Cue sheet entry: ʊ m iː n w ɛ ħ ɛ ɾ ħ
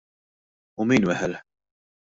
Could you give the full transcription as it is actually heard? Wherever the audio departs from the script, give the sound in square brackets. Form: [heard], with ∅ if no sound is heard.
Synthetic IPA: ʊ m iː n w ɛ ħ ɛ [l] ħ